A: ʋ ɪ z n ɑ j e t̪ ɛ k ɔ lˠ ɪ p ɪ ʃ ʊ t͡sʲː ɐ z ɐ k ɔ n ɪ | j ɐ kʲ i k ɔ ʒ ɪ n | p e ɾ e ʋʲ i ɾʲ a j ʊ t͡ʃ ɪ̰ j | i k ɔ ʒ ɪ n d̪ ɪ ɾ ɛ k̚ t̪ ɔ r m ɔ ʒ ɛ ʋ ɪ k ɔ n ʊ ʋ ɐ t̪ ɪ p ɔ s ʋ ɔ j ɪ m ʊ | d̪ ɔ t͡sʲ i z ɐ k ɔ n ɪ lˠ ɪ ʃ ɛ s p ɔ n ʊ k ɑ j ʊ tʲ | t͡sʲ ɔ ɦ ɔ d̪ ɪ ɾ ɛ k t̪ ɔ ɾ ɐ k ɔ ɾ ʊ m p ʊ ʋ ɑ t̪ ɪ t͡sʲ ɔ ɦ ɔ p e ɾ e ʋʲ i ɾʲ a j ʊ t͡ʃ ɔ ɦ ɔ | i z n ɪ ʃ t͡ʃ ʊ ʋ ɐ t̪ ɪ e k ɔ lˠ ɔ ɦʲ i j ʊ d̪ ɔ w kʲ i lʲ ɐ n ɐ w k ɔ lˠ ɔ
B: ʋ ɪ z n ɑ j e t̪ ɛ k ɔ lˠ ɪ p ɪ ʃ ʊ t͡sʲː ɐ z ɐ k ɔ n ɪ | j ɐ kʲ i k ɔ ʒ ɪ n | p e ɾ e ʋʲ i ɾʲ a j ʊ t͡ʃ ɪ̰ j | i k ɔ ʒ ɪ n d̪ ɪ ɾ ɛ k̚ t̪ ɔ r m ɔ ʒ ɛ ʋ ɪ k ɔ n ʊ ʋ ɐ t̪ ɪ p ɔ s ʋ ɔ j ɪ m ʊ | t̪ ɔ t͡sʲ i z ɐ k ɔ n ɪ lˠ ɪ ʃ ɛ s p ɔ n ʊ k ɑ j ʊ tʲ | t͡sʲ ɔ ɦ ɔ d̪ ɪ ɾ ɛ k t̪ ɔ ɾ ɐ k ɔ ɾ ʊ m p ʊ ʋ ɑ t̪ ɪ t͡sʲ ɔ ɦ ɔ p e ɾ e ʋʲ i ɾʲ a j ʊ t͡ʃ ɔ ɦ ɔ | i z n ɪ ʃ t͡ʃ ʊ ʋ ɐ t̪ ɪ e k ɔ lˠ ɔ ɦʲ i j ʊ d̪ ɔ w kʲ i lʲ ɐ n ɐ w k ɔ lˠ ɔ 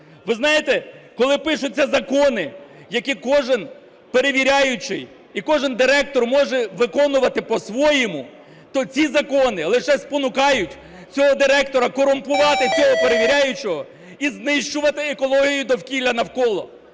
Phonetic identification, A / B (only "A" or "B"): B